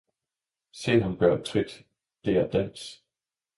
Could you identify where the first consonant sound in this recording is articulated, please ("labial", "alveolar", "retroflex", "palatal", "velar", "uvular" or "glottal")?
alveolar